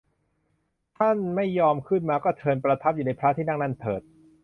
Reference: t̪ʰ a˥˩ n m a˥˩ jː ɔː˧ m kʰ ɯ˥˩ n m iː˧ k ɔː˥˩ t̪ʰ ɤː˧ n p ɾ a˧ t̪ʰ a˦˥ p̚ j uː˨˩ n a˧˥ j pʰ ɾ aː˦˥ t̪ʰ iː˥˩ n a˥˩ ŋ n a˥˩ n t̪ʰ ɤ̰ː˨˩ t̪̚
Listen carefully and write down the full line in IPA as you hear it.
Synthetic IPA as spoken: t̪ʰ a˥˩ n m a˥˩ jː ɔː˧ m kʰ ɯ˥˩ n m aː˧ k ɔː˥˩ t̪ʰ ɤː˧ n p ɾ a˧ t̪ʰ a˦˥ p̚ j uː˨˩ n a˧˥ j pʰ ɾ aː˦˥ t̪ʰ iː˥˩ n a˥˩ ŋ n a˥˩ n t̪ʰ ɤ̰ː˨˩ t̪̚